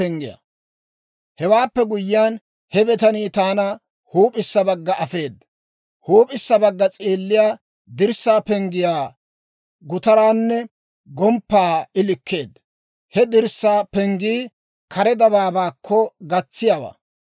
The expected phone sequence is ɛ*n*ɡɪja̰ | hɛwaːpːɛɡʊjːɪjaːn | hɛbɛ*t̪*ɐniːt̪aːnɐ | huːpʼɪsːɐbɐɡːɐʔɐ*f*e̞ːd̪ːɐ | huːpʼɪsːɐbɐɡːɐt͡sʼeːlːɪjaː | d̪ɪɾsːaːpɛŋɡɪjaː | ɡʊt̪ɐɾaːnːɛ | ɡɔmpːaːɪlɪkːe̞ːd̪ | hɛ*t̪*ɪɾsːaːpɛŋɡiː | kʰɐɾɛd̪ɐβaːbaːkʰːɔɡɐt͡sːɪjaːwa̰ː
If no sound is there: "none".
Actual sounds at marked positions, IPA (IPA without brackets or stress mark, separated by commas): ŋ, t̪, f, d̪